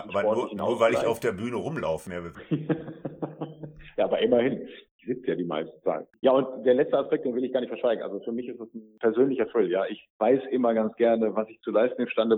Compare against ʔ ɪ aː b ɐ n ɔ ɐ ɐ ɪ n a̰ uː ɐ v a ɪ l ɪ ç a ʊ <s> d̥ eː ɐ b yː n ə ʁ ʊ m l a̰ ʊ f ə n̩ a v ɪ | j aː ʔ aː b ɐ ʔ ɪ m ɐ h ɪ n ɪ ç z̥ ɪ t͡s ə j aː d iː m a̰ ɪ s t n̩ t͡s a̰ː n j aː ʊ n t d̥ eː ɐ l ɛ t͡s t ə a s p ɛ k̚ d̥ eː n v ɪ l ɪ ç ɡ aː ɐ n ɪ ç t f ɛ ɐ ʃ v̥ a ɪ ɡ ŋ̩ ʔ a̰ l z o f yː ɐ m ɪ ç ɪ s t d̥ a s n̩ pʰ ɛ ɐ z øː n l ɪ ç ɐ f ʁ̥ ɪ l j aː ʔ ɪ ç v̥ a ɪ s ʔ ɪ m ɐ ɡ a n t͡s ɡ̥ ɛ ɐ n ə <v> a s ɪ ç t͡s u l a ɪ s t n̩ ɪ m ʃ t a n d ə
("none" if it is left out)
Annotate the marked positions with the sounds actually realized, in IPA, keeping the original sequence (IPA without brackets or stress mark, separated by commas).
f, v